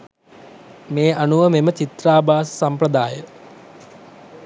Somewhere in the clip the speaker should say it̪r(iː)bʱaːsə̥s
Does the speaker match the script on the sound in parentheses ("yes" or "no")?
no